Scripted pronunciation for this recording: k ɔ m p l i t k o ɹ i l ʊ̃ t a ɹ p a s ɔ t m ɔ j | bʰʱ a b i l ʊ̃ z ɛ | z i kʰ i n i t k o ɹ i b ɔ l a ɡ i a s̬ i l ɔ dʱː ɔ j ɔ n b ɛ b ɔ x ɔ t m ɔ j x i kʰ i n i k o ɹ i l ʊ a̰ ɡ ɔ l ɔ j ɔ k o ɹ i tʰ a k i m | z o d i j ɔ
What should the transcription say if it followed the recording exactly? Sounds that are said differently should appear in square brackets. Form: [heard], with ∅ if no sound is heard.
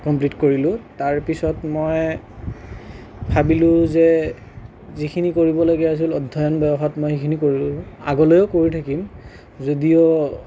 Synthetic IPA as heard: k ɔ m p l i t k o ɹ i l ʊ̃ t a ɹ p [i] s ɔ t m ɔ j | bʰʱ a b i l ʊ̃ z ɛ | z i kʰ i n i [∅] k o ɹ i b ɔ l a ɡ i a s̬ i l ɔ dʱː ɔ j ɔ n b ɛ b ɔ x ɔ t m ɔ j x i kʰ i n i k o ɹ i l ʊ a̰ ɡ ɔ l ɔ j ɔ k o ɹ i tʰ a k i m | z o d i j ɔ